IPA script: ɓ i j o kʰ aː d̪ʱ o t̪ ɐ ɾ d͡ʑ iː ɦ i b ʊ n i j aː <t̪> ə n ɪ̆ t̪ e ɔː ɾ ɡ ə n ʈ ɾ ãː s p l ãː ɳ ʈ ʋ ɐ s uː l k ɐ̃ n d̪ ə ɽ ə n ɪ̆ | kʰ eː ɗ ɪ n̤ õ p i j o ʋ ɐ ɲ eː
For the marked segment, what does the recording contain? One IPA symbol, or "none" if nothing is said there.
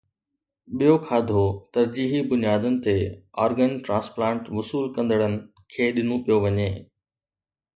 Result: d̪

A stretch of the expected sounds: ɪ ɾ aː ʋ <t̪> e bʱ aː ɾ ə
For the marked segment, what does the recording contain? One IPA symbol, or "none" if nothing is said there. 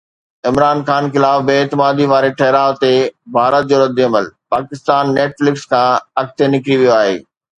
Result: t̪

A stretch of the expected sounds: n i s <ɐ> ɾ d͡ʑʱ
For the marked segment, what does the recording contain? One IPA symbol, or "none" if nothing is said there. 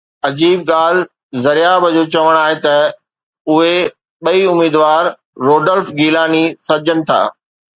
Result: ɐ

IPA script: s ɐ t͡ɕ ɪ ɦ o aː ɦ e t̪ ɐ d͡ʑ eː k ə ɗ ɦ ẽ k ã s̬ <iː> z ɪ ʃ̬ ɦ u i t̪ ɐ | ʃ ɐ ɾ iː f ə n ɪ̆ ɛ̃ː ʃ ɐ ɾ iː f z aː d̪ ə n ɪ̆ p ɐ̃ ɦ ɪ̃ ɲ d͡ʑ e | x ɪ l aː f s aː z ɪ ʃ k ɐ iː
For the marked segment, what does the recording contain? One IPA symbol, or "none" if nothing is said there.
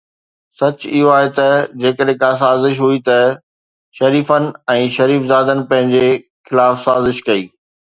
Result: aː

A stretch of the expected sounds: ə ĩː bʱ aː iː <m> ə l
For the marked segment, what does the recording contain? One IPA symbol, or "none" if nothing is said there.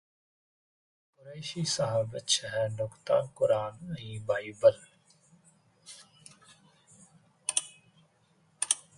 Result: b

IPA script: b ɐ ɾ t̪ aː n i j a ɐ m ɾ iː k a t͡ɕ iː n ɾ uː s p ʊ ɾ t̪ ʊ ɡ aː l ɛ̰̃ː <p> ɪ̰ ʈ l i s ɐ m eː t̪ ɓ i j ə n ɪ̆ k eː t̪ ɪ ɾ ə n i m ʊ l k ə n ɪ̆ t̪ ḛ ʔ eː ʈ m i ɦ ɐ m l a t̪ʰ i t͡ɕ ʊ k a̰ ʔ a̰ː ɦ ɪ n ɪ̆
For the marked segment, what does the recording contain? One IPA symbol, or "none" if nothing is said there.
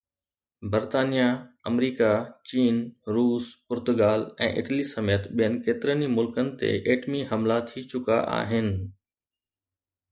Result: ʔ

